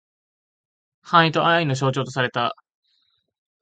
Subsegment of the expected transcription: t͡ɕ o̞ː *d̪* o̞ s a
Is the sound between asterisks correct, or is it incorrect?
incorrect